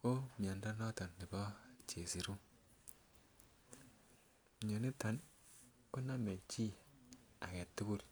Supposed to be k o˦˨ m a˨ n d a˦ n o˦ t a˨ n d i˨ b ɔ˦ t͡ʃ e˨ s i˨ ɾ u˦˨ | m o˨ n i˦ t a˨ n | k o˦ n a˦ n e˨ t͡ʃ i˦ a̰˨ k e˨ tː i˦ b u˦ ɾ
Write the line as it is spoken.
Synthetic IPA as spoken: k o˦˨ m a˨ n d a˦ n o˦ t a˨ n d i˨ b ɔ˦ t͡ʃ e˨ s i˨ ɾ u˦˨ | ɲ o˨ n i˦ t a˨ n | k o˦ n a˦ m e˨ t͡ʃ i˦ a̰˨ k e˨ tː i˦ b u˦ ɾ